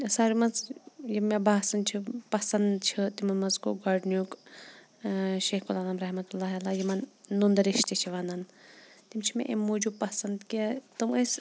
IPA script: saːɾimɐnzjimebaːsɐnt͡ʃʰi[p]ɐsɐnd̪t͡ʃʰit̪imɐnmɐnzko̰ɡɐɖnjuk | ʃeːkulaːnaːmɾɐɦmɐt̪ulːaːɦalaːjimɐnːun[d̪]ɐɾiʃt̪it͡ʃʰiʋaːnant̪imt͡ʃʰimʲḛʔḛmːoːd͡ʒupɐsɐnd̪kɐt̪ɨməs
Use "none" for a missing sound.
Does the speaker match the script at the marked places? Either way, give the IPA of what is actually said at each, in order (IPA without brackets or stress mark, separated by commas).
p, d̪